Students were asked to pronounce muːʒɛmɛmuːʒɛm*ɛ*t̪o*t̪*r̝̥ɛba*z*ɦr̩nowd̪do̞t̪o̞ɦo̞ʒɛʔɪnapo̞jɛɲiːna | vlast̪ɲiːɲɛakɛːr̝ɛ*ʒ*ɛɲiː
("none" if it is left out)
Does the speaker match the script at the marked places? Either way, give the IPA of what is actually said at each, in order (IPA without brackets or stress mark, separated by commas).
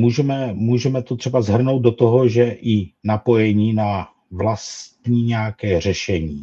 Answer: ɛ, t̪, z, ʃ